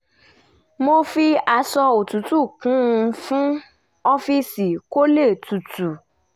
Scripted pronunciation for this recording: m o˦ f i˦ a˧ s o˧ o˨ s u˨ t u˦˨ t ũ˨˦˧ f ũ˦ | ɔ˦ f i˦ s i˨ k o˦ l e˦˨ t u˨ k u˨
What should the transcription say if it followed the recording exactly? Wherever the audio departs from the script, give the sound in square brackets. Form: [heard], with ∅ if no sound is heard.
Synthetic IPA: m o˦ f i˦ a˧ s [ɔ˧] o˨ [t] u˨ t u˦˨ [k] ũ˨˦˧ f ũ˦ | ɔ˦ f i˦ s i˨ k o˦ l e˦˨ t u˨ [t] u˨